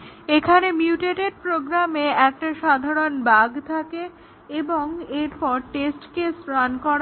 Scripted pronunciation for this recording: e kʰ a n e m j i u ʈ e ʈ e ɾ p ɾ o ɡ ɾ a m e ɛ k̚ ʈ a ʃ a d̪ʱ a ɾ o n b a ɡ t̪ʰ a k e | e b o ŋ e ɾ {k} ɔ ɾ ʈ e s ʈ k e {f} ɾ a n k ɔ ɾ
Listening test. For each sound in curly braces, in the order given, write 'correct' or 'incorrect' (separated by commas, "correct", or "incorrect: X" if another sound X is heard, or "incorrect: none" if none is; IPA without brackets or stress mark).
incorrect: p, incorrect: s